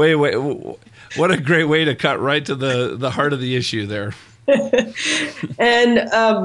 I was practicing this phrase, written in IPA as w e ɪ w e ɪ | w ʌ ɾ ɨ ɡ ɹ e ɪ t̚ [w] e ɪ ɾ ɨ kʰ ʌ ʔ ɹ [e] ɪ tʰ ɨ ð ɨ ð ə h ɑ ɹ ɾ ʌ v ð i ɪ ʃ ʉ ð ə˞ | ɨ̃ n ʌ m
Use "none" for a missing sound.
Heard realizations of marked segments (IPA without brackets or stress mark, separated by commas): w, a